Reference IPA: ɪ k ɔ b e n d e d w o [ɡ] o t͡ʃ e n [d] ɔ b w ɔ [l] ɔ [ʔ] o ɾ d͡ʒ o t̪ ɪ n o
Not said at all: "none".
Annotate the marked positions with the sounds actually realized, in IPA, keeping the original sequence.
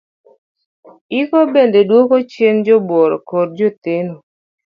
k, d͡ʒ, ɾ, k

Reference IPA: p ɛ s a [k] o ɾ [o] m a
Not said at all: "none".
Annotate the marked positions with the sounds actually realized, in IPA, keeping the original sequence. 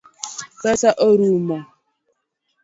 ʔ, u

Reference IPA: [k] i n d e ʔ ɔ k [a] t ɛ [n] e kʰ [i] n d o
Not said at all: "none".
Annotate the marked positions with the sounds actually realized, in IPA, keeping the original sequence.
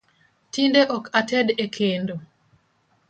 t, a, d, e

